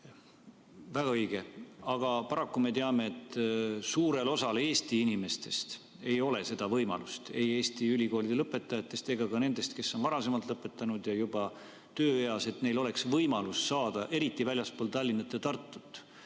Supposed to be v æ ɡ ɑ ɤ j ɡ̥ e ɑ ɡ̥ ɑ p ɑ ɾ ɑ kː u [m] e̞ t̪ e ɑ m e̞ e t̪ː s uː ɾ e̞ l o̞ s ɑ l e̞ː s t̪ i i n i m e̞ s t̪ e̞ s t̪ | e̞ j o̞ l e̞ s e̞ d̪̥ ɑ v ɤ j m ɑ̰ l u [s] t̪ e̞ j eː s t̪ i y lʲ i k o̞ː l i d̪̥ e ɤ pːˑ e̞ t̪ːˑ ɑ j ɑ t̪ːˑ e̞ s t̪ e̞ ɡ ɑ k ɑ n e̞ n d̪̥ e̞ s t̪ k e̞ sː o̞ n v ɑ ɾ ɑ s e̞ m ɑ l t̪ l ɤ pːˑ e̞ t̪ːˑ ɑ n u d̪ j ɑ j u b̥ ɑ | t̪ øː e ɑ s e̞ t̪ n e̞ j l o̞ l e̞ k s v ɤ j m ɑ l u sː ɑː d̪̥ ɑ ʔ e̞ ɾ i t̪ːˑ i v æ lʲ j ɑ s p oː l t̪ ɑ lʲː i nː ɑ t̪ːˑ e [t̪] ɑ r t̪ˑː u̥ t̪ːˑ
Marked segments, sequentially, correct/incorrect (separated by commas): correct, correct, correct